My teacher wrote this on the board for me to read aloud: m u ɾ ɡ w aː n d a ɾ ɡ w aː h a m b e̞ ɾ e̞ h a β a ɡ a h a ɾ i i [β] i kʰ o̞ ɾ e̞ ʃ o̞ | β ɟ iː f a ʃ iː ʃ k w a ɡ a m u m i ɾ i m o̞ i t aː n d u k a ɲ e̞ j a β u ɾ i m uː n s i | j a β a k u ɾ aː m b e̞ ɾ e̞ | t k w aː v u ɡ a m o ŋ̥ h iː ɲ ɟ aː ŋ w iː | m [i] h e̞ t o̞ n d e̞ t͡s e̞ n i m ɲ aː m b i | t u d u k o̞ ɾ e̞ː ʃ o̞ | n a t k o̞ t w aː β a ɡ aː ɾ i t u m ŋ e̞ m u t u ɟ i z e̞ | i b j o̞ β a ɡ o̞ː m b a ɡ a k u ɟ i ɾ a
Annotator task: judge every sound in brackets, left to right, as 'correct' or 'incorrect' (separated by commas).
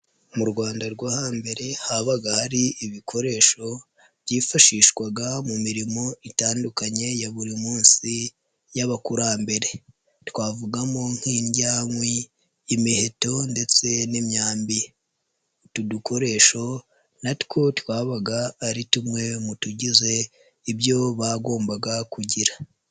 correct, correct